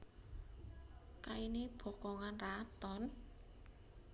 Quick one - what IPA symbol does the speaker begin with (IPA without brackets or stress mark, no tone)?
k